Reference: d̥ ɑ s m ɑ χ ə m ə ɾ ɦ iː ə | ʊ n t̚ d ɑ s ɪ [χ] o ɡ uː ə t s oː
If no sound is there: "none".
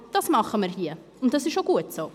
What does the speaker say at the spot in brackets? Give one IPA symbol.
ʃ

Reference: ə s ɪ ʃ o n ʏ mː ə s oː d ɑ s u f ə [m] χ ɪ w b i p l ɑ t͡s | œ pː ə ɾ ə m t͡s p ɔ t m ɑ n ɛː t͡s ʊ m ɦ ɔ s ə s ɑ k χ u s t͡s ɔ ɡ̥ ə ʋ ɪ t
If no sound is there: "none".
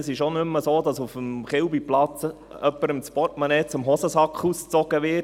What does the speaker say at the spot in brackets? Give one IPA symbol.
m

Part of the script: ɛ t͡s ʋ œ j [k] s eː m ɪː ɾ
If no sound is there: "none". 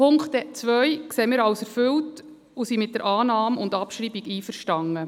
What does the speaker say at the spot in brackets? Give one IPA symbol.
k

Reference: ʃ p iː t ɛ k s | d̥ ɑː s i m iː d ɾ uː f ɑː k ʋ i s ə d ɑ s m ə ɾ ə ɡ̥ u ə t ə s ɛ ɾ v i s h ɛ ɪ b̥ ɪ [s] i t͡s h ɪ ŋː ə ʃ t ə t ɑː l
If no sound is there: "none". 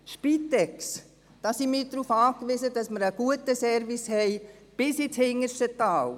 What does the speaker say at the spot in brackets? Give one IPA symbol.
s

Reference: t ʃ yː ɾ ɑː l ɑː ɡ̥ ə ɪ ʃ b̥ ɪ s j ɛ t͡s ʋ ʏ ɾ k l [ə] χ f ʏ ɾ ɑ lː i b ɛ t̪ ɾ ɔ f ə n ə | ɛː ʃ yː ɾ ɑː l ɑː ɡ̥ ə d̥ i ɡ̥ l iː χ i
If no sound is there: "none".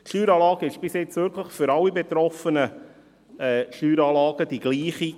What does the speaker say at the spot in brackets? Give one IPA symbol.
ə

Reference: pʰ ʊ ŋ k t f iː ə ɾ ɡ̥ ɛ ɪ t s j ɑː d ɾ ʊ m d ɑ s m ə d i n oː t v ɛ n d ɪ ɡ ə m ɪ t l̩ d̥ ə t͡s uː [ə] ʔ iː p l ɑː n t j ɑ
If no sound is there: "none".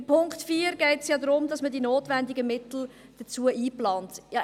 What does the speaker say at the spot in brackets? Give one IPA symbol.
ə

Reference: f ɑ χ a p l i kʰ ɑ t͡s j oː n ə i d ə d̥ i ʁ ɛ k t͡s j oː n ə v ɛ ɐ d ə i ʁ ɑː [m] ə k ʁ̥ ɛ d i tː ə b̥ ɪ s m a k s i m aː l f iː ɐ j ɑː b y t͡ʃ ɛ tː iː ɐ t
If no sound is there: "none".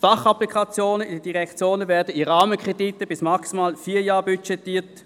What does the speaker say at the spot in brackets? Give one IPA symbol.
m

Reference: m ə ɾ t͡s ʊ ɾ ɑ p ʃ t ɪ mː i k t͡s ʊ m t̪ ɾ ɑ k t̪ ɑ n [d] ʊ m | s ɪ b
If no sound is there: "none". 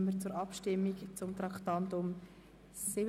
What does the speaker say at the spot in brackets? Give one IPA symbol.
t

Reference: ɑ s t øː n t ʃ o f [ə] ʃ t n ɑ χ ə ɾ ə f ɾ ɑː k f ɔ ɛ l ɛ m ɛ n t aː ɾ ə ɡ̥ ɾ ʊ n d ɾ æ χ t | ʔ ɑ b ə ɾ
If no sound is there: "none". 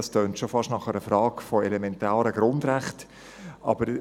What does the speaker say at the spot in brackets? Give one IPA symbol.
ɑ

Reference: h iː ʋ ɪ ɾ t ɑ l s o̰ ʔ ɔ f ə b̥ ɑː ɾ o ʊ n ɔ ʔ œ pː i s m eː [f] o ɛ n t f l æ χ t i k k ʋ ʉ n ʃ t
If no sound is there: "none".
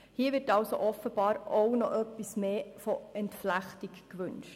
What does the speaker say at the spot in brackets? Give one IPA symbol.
f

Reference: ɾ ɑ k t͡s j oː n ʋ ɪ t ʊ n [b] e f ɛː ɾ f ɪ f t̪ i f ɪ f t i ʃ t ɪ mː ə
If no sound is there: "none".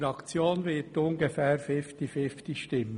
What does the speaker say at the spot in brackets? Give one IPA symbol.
ɡ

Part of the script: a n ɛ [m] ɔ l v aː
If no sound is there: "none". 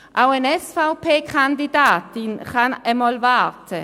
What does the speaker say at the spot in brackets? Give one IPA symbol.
m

